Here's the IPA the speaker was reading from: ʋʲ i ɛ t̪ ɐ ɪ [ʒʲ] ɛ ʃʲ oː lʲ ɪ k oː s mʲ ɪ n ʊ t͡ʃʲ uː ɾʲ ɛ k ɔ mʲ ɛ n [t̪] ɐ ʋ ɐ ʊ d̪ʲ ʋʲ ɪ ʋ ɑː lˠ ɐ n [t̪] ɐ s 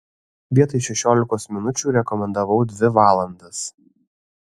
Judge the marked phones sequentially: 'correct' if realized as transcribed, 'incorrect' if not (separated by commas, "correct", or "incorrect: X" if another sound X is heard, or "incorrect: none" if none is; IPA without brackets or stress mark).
incorrect: ʃʲ, incorrect: d̪, incorrect: d̪